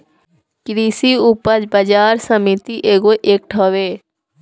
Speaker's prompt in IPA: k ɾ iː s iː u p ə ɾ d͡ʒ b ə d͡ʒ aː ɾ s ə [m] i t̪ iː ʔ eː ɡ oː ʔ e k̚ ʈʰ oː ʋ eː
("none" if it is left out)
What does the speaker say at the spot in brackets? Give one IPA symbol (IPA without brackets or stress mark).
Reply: m